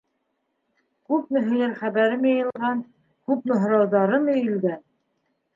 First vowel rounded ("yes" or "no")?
yes